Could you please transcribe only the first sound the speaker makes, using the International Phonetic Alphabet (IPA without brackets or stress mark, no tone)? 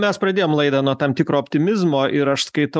mʲ